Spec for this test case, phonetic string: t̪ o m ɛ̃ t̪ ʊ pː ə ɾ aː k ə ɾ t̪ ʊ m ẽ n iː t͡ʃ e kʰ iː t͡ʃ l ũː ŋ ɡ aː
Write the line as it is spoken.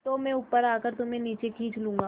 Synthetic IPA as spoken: t̪ o m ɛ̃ ʊ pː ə ɾ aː k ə ɾ t̪ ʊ m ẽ n iː t͡ʃ e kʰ iː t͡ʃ l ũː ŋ ɡ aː

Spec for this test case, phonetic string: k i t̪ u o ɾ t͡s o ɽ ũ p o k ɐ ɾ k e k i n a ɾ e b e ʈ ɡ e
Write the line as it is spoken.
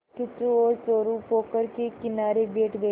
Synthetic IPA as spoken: k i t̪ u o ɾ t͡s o ɾ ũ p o k ə ɾ k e k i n a ɾ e b e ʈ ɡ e

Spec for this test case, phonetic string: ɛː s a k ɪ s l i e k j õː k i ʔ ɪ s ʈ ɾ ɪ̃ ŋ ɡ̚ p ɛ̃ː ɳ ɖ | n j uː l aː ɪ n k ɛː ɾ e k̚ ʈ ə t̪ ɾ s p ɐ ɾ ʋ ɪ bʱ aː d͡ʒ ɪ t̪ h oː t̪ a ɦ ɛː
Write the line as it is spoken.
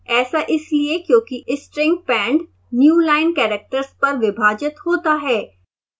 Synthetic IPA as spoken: ɛː s a ʔ ɪ s l i e k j õː k i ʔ ɪ s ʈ ɾ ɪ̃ ŋ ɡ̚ p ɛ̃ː ɳ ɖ | n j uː l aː ɪ n k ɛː ɾ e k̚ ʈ ə ɾ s p ɐ ɾ ʋ ɪ bʱ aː d͡ʒ ɪ t̪ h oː t̪ a ɦ ɛː

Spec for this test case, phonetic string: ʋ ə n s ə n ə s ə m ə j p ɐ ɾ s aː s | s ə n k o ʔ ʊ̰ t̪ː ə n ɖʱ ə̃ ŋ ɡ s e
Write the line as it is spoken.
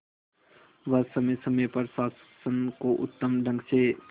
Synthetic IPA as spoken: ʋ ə s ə m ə s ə m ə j p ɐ ɾ s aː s | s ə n k o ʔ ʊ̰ t̪ː ə m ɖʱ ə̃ ŋ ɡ s e

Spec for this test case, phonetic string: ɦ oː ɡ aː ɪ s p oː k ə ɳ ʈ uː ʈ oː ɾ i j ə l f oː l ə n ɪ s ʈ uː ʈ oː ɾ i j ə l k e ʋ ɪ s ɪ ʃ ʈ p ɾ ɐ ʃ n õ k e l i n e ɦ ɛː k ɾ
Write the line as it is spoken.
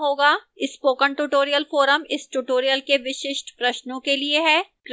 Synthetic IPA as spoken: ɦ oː ɡ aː ɪ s p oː k ə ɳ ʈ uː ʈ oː ɾ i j ə l f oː ɾ ə m ɪ s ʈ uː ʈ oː ɾ i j ə l k e ʋ ɪ ʃ ɪ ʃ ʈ p ɾ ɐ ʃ n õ k e l i e ɦ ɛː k ɾ

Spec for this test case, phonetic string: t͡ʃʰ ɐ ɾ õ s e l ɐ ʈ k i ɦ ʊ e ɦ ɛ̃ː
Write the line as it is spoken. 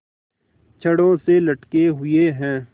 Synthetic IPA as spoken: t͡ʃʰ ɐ ɽ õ s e l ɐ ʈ k e ɦ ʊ e ɦ ɛ̃ː

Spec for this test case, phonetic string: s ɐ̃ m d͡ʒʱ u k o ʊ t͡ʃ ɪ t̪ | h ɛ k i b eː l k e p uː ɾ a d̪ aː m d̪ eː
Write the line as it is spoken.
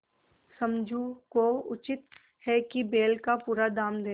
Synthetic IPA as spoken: s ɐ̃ m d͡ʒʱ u k o ʊ t͡ʃ ɪ t̪ | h ɛ k i b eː l k a p uː ɾ a d̪ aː m d̪ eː

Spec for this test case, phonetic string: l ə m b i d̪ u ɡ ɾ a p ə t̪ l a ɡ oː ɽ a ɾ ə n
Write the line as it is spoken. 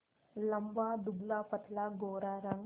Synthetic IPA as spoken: l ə m b a d̪ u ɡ l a p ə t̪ l a ɡ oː ɾ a ɾ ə ŋ

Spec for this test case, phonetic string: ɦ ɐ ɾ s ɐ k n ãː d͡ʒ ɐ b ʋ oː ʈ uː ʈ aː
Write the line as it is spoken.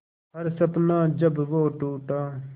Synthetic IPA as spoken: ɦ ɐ ɾ s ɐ p n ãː d͡ʒ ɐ b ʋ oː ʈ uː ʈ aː

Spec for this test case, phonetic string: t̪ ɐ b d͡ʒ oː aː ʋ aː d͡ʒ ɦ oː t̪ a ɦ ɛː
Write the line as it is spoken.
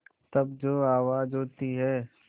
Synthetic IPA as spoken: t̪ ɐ b d͡ʒ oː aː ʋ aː d͡ʒ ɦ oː t̪ i ɦ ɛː

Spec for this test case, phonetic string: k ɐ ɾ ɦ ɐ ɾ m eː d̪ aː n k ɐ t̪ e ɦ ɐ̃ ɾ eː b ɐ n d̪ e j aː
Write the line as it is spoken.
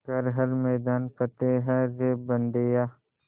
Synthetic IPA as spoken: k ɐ ɾ ɦ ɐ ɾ m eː d̪ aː n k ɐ t̪ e ɦ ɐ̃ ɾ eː b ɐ n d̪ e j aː

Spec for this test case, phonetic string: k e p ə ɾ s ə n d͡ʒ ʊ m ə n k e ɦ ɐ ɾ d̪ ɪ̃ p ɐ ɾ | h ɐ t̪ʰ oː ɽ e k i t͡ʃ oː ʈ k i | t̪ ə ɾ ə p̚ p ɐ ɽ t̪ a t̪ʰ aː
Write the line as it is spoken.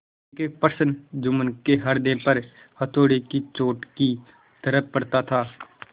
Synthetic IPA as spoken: k e p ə ɾ s ə n d͡ʒ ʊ m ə n k e ɦ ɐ ɾ d̪ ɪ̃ p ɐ ɾ | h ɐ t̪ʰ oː ɽ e k i t͡ʃ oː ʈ k i | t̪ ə ɾ ə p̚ p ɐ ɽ t̪ a t̪ʰ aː

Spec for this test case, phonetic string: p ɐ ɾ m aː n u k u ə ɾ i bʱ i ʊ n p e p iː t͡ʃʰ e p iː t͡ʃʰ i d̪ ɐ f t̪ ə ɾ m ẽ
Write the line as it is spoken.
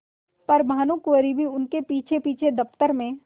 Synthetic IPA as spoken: p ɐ ɾ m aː n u k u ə ɾ i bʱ i ʊ n k e p iː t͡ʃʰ e p iː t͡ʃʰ e d̪ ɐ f t̪ ə ɾ m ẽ

